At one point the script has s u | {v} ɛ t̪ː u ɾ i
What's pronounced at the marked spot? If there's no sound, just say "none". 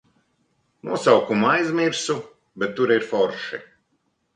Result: b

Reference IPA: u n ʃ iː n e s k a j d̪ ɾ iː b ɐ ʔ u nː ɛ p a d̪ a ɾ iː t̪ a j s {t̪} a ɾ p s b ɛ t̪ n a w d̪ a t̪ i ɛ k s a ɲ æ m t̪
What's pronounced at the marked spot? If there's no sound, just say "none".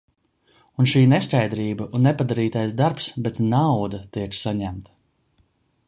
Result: d̪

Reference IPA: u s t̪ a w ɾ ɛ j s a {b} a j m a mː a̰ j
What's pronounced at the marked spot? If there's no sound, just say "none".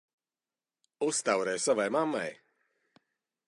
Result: v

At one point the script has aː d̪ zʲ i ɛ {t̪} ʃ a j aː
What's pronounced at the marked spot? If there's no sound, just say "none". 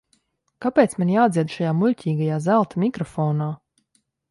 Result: d̪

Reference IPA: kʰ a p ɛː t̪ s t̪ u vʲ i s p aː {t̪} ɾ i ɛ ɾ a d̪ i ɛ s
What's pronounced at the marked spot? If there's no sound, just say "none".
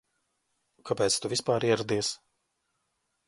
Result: none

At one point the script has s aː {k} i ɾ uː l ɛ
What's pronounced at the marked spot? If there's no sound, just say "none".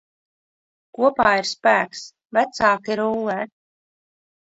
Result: k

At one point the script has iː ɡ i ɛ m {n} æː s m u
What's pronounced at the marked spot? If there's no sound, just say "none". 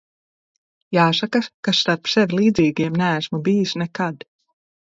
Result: n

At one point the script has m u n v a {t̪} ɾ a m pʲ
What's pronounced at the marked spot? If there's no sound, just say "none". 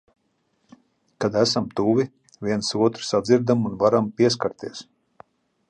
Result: none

